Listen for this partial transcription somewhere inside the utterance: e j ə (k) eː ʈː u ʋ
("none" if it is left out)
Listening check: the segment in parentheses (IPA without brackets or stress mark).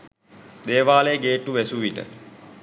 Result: ɡ